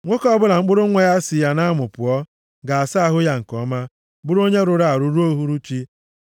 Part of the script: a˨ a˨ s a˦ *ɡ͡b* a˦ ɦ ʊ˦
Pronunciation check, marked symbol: incorrect: none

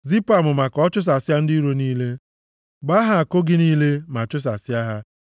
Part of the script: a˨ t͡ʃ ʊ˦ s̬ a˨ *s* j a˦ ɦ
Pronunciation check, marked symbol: correct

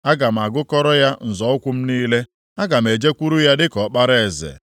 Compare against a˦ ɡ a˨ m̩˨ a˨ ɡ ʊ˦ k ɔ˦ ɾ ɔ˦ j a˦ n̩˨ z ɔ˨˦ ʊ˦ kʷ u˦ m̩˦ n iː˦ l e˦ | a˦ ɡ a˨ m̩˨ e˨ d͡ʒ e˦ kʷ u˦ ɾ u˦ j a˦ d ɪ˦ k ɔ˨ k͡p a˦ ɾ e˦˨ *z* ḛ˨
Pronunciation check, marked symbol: correct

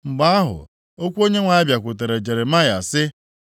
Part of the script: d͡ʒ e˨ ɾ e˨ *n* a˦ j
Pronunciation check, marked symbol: incorrect: m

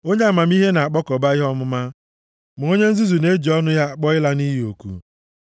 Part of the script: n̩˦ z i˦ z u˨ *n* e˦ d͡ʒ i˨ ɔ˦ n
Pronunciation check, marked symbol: correct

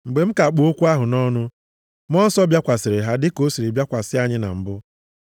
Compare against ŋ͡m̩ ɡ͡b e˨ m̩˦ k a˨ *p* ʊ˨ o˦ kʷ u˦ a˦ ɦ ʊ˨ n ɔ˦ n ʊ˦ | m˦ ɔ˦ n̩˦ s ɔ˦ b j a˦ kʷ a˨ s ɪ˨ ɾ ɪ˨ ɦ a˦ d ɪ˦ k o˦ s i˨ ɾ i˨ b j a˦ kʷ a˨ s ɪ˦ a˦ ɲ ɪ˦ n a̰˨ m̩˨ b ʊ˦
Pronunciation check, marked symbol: incorrect: k͡p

